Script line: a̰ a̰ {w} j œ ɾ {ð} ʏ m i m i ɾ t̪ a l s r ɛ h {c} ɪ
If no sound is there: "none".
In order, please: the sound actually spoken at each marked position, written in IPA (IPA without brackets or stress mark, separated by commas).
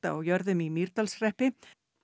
w, ð, p